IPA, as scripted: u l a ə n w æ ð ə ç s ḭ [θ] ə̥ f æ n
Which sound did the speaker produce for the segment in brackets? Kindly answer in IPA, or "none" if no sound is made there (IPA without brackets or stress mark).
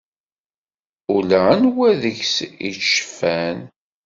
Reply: ʃ